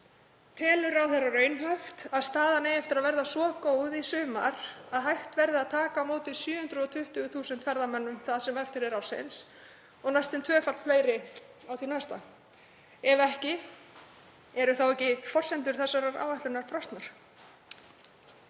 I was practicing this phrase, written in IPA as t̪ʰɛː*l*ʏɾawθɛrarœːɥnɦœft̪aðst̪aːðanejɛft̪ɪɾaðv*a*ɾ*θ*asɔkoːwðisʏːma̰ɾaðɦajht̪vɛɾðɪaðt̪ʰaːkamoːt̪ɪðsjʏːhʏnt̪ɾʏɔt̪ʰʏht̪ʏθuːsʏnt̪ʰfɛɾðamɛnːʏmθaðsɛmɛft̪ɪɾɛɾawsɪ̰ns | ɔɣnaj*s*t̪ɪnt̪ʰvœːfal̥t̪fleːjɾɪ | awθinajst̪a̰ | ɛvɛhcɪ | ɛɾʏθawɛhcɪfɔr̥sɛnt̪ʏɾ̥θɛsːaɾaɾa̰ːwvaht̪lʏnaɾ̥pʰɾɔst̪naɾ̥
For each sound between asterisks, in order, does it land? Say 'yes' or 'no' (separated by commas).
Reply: yes, no, no, yes